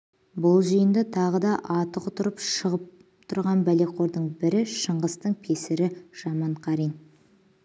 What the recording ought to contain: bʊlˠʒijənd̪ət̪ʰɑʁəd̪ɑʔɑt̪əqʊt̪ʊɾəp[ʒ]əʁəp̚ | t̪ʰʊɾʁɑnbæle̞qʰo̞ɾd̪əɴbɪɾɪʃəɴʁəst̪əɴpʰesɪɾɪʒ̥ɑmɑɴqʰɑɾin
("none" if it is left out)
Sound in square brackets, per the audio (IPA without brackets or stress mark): ʃ